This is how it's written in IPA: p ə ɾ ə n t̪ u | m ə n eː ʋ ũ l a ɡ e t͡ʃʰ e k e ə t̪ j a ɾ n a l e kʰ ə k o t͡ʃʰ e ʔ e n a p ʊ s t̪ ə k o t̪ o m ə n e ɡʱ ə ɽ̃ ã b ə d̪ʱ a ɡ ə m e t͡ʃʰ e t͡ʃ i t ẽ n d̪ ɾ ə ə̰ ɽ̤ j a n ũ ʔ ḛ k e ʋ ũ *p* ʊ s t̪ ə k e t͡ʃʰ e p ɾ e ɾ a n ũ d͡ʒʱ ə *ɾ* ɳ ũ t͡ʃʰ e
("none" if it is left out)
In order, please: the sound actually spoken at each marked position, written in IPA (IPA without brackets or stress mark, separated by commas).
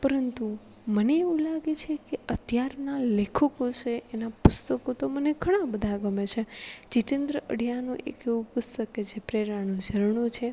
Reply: p, ɾ